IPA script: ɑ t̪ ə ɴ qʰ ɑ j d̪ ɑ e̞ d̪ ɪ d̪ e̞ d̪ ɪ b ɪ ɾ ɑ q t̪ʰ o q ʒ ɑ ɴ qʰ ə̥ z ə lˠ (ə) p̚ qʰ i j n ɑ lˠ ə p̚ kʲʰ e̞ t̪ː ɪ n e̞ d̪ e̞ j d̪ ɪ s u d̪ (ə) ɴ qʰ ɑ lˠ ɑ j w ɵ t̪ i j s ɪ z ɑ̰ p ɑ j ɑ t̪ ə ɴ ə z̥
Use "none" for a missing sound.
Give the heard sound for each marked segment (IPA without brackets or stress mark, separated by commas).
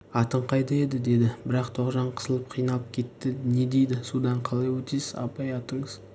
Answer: ə, ɑ